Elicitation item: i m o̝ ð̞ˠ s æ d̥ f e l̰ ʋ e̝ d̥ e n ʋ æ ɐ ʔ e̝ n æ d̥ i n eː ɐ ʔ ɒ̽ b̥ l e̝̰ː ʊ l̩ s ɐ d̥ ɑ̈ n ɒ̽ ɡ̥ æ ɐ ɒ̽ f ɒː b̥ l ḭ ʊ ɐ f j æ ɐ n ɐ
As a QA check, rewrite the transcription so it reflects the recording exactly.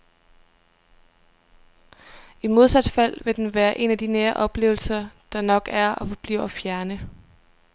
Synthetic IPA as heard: i m o̝ ð̞ˠ s æ d̥ f æ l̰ ʋ e̝ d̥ e n ʋ æː ɐ ʔ e̝ n æ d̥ i n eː ɐ ʔ ɒ̽ b̥ l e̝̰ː ʊ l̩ s ɐ d̥ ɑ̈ n ɒ̽ ɡ̥ æ ɐ ɒ̽ f ɒ b̥ l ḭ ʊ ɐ f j æ ɐ n ə

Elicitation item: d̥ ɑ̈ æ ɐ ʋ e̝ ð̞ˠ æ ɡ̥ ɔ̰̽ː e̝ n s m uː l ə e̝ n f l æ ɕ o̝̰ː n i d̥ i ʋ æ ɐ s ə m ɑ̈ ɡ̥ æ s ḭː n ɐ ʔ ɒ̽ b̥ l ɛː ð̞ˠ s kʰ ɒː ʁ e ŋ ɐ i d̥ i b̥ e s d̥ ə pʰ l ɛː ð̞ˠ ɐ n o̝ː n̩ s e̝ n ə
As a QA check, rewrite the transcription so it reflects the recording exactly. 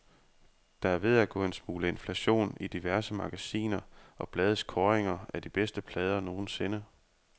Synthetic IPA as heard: d̥ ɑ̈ æ ɐ ʋ e̝ ð̞ˠ æ ɡ̥ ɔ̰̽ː e̝ n s m uː l ə e̝ n f l æ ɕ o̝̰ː n i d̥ i ʋ æ ɐ s ə m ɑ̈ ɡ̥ æ s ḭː n ɐ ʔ ɒ̽ b̥ l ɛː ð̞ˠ s kʰ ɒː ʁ e ŋ ɐ æ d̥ i b̥ e s d̥ ə pʰ l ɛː ð̞ˠ ɐ n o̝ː n̩ s e̝ n ə

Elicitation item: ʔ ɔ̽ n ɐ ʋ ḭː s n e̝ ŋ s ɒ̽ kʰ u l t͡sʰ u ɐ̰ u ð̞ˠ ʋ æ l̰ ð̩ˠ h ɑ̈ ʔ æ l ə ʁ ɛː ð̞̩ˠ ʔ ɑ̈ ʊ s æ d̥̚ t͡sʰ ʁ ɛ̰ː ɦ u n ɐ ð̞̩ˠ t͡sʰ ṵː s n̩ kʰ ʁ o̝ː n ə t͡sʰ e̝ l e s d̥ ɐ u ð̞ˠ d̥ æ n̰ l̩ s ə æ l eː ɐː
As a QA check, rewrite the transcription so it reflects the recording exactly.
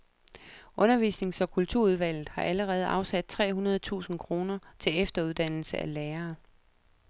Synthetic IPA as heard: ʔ ɔ̽ n ɐ ʋ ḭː s n e̝ ŋ s ɒ̽ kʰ u l t͡sʰ u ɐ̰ u ð̞ˠ ʋ æ l̰ ð̩ˠ h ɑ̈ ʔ æ l ə ʁ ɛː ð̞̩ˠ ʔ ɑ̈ ʊ s æ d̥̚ t͡sʰ ʁ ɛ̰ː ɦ u n ɐ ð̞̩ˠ t͡sʰ ṵː s n̩ kʰ ʁ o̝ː n ɐ t͡sʰ e̝ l e f d̥ ɐ u ð̞ˠ d̥ æ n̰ l̩ s ə æ l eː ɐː

